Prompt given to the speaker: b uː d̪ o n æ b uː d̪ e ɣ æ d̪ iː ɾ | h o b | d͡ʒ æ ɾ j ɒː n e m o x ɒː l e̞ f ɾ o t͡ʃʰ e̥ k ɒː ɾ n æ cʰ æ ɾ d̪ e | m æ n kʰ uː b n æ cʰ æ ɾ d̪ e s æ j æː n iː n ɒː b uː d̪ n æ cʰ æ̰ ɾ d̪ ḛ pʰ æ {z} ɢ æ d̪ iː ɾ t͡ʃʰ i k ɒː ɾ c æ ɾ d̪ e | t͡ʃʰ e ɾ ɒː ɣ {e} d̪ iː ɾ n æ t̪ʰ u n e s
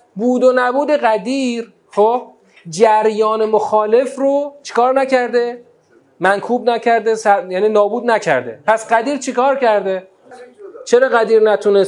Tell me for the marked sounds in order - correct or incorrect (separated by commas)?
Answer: incorrect, incorrect